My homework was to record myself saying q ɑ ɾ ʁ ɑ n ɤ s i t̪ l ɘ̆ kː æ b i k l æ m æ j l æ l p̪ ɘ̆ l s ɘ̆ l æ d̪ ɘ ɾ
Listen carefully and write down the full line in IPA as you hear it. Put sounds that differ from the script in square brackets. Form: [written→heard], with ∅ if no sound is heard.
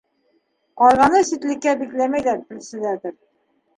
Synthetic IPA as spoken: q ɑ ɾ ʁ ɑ n ɤ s i t̪ l ɘ̆ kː æ b i k l æ m æ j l æ [l→ɾ] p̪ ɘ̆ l s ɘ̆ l æ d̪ ɘ ɾ